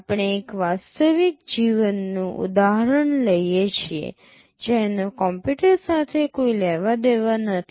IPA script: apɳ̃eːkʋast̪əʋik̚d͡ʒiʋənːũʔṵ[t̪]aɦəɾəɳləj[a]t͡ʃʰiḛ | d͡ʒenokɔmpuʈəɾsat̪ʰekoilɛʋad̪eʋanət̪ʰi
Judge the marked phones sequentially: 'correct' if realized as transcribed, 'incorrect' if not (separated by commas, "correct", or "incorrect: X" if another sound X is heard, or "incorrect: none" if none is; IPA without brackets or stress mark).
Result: incorrect: d̪, incorrect: e